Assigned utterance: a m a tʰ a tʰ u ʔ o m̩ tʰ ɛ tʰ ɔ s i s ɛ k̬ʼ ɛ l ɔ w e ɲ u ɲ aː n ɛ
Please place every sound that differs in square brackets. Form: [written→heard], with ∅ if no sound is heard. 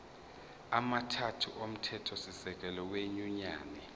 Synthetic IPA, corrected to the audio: a m a tʰ a tʰ u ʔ o m̩ tʰ ɛ tʰ ɔ s i s ɛ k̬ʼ ɛ l ɔ w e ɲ u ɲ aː n ɛ